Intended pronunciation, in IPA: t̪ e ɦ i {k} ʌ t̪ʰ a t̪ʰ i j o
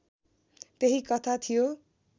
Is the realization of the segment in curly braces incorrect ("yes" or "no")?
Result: no